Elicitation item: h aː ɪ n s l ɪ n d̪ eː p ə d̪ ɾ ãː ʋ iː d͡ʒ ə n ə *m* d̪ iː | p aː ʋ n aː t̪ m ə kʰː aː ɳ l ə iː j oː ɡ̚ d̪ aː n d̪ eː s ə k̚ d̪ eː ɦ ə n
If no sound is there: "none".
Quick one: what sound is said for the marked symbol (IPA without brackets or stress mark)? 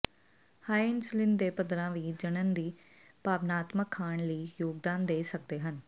n